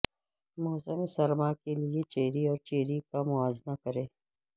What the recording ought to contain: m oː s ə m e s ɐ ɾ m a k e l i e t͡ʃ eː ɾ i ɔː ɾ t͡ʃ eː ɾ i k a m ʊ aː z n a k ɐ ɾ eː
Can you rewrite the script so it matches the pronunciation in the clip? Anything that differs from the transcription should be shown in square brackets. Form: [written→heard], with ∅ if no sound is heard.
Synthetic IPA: m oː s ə m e s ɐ ɾ m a k e l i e t͡ʃ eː ɾ i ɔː ɾ t͡ʃ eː ɾ i k a m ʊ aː z n a k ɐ ɾ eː